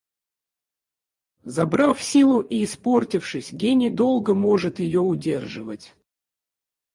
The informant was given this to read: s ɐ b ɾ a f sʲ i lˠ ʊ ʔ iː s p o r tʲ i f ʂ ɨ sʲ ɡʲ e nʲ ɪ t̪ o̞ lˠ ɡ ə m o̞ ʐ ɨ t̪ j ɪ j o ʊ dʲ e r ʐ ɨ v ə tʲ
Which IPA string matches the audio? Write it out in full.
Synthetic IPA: z ɐ b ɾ a f sʲ i lˠ ʊ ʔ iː s p o r tʲ ɪ f ʂ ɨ sʲ ɡʲ e nʲ ɪ d̪ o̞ lˠ ɡ ə m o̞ ʐ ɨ t̪ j ɪ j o ʊ dʲ e r ʐ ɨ v ə tʲ